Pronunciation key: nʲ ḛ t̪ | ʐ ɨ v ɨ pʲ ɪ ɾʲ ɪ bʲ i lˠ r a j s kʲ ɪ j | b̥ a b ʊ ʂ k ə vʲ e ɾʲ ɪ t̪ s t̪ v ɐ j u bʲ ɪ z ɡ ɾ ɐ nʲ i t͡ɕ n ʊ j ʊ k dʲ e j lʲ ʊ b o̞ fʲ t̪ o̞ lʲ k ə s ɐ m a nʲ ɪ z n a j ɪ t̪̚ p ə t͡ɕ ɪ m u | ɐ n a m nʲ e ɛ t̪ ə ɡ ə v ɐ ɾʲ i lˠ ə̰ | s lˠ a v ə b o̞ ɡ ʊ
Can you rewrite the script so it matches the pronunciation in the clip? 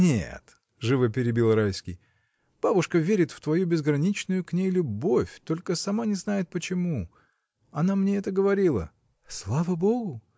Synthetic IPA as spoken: nʲ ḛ t̪ | ʐ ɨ v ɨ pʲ ɪ ɾʲ ɪ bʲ i lˠ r a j s kʲ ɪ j | b̥ a b ʊ ʂ k ə vʲ e ɾʲ ɪ t̪ f t̪ v ɐ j u bʲ ɪ z ɡ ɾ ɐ nʲ i t͡ɕ n ʊ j ʊ k nʲ e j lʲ ʊ b o̞ fʲ t̪ o̞ lʲ k ə s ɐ m a nʲ ɪ z n a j ɪ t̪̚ p ə t͡ɕ ɪ m u | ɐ n a m nʲ e ɛ t̪ ə ɡ ə v ɐ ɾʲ i lˠ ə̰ | s lˠ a v ə b o̞ ɡ ʊ